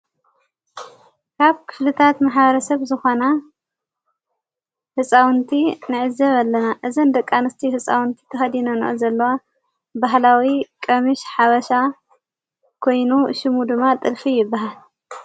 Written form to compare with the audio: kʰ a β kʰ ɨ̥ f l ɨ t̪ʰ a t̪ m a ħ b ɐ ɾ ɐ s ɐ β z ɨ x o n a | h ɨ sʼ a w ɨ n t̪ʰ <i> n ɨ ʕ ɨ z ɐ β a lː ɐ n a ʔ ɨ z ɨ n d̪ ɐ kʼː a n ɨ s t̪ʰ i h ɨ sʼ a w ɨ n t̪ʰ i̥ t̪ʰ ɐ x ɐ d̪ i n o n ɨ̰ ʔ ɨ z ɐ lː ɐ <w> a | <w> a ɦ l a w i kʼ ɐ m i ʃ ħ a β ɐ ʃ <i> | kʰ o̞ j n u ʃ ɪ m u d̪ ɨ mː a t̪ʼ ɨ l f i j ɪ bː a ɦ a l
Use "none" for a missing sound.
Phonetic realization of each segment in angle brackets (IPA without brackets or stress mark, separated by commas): i, w, b, a